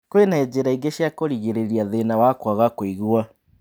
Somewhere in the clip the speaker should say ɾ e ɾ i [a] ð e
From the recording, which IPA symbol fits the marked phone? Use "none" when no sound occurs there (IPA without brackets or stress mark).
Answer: a